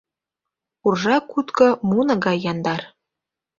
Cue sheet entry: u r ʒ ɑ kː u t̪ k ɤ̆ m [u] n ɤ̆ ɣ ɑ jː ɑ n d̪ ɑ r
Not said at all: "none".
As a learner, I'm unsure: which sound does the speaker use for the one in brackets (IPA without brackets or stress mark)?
u